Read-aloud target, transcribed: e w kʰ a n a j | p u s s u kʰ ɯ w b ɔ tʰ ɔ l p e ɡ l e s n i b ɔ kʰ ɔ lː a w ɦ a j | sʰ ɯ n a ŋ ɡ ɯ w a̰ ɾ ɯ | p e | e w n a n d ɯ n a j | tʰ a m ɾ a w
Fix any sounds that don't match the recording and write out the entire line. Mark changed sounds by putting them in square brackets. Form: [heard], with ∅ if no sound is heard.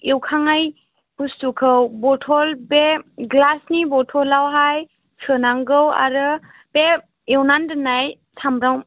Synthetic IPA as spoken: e w kʰ a [ŋ] a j | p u s [t] u kʰ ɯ w b ɔ tʰ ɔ l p e ɡ l [a] s n i b ɔ [tʰ] ɔ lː a w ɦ a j | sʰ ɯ n a ŋ ɡ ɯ w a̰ ɾ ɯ | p e | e w n a n d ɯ n a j | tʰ a m ɾ a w